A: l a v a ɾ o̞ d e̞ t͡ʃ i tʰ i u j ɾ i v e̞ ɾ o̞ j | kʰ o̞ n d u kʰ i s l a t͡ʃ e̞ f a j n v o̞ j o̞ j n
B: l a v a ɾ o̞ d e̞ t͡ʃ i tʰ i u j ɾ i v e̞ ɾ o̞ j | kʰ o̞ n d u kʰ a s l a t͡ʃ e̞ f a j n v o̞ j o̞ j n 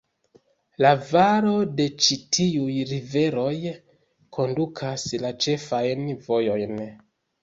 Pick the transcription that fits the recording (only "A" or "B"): B